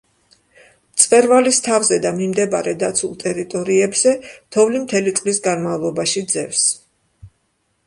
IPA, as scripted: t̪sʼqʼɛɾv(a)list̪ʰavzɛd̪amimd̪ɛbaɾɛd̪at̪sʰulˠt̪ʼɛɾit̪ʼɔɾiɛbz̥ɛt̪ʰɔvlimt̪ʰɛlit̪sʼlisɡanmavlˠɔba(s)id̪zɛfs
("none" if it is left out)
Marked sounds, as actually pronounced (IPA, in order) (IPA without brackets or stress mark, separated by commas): a, ʃ